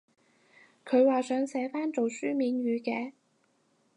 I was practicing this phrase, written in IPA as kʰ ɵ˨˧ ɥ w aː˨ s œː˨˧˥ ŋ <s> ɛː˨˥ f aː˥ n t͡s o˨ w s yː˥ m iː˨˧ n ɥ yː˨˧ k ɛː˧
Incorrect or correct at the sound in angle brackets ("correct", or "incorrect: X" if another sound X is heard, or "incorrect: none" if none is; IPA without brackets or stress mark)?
correct